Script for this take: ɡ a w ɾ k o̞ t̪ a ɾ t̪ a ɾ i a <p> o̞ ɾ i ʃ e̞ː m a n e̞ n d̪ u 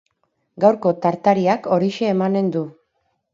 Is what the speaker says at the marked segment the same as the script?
no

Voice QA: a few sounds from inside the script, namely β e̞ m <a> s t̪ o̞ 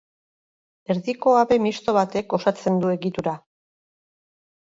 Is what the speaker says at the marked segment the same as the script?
no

